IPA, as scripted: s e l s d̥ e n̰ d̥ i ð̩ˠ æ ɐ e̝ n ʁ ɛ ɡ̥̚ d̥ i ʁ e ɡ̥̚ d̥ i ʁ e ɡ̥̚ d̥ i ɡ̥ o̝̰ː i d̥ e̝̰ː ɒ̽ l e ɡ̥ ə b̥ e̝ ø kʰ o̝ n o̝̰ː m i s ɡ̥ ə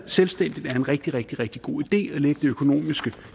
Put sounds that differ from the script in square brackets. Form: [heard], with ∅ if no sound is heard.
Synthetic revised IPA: s e l s d̥ e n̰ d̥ i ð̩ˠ æ ɐ e̝ n ʁ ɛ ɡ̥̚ d̥ i ʁ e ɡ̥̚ d̥ i ʁ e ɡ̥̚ d̥ i ɡ̥ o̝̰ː i d̥ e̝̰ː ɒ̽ l e ɡ̥ ə [d̥] e̝ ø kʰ o̝ n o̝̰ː m i s ɡ̥ ə